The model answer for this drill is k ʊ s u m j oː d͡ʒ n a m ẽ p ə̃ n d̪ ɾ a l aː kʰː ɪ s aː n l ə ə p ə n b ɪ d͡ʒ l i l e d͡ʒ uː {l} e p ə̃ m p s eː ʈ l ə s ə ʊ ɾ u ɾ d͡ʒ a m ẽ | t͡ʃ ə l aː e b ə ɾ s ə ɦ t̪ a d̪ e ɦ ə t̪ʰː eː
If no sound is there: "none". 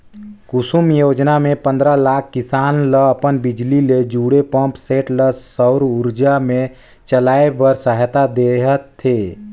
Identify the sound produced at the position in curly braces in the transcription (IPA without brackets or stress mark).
ɽ